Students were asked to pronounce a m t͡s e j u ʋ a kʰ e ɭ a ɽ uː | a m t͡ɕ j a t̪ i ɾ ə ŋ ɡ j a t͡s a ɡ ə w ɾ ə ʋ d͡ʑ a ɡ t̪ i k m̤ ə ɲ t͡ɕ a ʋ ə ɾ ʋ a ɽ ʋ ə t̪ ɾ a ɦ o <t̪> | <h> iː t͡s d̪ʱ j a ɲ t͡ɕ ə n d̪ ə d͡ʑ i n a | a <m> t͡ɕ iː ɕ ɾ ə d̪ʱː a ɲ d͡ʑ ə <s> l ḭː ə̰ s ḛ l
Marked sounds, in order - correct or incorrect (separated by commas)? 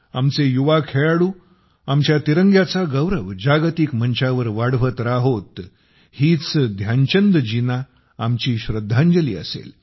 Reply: correct, correct, correct, incorrect